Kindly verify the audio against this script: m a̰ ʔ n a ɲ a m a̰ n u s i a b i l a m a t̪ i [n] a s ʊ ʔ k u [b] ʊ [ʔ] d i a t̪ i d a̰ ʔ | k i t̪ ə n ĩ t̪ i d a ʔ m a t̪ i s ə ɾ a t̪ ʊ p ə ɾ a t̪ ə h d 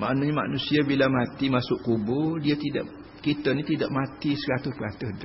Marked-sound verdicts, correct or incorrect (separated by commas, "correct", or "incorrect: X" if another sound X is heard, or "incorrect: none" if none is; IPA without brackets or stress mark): incorrect: m, correct, incorrect: none